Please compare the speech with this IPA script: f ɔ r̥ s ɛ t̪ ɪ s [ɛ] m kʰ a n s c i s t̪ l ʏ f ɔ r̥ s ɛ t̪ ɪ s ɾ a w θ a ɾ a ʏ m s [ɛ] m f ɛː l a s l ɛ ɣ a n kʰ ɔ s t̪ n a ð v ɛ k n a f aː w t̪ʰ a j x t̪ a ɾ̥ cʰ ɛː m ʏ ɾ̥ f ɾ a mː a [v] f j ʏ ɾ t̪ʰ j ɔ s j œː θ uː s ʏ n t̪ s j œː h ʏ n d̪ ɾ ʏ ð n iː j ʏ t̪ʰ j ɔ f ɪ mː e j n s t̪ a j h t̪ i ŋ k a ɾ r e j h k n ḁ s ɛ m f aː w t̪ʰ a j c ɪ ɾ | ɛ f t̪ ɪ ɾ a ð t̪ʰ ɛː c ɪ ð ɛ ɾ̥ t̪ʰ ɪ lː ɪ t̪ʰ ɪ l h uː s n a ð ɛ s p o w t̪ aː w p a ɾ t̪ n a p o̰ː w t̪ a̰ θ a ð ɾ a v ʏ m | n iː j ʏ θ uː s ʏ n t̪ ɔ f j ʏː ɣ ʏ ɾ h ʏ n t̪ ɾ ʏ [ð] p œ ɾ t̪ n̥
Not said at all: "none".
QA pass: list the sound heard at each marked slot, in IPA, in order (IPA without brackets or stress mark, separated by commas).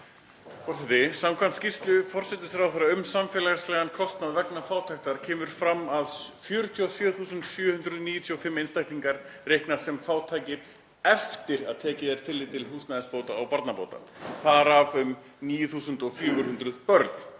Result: a, a, ð, ð